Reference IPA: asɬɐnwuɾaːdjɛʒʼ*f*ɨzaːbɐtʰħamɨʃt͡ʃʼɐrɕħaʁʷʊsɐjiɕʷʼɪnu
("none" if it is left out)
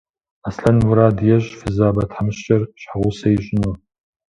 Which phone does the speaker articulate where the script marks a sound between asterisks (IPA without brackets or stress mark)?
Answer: f